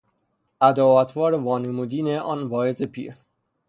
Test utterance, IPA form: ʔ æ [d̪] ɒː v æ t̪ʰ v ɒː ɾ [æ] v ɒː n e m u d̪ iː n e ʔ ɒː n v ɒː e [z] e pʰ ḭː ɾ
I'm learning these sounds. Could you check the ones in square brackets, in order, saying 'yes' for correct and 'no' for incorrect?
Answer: yes, no, yes

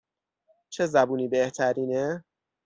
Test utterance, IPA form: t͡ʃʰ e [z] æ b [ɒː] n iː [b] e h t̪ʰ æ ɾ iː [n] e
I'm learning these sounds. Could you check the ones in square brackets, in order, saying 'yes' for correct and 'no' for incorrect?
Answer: yes, no, yes, yes

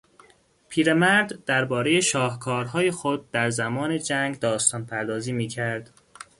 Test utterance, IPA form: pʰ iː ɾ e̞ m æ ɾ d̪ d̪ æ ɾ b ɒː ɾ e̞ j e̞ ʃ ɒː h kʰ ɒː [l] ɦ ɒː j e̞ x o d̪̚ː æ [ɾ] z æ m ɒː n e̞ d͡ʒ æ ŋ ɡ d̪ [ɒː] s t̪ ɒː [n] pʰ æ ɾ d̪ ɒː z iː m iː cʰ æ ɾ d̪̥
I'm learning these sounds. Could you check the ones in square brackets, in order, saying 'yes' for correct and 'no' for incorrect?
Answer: no, yes, yes, yes

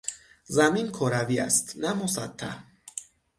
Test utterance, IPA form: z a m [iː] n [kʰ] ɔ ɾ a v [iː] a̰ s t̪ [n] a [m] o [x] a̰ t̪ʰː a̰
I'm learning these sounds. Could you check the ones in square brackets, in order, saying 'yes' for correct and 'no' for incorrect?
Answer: no, yes, no, yes, yes, no

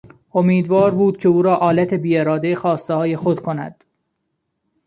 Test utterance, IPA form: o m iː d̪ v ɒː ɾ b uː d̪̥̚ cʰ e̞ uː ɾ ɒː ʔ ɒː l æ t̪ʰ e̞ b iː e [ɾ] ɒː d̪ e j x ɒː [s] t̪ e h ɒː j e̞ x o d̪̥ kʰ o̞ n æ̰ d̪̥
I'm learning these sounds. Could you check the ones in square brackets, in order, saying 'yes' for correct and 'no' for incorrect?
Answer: yes, yes

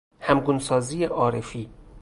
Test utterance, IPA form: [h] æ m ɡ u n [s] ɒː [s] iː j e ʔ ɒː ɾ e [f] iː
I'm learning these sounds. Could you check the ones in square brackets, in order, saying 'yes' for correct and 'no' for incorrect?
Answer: yes, yes, no, yes

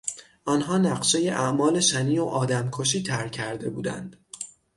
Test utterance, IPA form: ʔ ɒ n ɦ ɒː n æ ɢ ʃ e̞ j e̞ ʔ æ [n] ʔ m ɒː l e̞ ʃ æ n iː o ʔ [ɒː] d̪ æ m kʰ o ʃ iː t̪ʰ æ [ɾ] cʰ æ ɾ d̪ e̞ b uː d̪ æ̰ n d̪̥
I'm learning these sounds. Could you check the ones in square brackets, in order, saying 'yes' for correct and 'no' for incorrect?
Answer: no, yes, yes

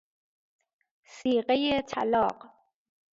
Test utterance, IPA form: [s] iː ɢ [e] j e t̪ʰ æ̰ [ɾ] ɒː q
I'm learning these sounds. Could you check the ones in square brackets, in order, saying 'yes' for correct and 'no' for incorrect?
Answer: yes, yes, no

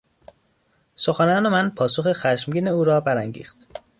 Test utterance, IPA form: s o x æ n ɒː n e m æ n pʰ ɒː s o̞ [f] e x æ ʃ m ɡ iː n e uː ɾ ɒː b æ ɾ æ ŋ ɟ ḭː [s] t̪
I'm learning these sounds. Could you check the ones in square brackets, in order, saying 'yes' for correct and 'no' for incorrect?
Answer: no, no

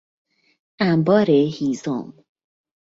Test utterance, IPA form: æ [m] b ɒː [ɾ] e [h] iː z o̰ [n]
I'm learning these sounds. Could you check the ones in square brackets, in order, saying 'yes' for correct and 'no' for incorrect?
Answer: yes, yes, yes, no

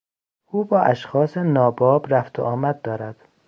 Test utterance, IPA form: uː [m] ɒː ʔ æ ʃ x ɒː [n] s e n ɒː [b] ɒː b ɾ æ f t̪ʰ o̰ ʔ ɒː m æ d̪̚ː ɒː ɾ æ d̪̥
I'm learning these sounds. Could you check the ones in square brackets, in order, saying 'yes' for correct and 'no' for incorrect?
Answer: no, no, yes

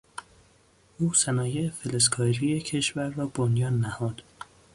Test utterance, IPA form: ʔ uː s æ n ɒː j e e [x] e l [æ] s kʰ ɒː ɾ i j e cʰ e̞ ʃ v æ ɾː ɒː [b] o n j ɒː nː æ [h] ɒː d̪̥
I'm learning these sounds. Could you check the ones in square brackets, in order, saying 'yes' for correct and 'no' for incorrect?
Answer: no, no, yes, yes

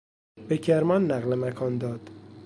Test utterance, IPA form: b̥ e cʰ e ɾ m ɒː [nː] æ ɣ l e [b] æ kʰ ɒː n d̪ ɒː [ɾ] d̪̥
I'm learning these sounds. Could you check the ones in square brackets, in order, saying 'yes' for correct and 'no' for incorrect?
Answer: yes, no, no

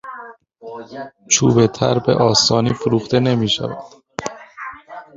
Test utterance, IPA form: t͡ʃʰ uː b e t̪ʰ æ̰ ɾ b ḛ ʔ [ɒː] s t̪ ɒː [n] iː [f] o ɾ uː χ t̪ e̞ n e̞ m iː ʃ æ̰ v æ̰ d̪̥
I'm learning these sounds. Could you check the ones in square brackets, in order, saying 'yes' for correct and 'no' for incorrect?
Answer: yes, yes, yes

